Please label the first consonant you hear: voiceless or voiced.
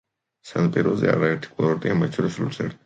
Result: voiceless